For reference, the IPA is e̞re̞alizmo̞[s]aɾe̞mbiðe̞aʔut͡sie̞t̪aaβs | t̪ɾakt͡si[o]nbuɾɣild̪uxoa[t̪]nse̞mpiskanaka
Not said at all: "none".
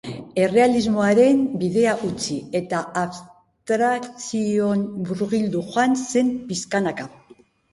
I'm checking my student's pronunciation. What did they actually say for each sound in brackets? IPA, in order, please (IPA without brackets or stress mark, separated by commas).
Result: none, o, none